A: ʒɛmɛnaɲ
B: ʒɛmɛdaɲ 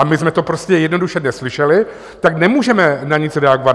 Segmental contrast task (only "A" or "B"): A